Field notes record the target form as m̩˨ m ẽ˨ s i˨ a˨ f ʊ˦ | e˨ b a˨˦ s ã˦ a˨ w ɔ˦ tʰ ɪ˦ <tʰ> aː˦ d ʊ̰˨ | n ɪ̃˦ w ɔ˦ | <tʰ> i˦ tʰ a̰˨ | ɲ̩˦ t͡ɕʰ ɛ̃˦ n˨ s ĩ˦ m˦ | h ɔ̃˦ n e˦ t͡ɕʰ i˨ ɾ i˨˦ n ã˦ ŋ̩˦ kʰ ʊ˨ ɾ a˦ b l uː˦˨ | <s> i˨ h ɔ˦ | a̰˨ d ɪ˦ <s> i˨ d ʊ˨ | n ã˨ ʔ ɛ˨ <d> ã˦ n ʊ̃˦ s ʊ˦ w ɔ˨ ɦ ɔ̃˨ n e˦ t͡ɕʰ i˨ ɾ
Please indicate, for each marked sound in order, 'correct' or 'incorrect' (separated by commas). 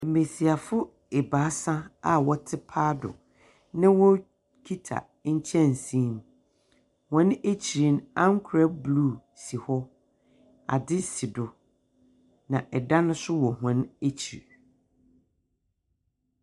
incorrect, incorrect, correct, correct, correct